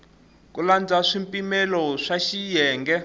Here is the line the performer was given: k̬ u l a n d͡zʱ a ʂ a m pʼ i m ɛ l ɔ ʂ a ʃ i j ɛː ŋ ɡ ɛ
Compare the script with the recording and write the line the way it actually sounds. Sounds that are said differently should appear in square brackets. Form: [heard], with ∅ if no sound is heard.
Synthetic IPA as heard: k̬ u l a n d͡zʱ a ʂ [i] m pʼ i m ɛ l ɔ ʂ a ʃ i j ɛː ŋ ɡ ɛ